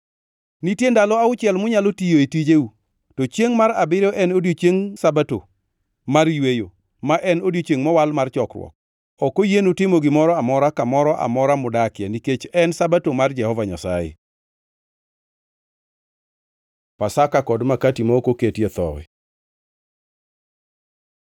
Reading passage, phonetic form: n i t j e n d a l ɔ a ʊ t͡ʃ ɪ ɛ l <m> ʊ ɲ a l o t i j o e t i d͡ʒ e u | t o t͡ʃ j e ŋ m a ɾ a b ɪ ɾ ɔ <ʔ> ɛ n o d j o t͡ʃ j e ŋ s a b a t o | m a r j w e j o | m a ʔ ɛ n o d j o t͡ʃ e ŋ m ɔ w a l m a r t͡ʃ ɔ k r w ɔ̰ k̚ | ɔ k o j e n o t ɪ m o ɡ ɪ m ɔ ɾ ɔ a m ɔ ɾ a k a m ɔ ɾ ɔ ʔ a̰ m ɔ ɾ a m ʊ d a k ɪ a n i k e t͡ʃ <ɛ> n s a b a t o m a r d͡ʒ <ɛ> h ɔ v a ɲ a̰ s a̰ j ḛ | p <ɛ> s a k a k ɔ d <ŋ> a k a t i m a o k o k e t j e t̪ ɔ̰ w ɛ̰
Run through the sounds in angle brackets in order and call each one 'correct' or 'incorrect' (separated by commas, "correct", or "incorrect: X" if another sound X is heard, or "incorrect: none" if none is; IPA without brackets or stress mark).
correct, correct, correct, correct, incorrect: a, incorrect: m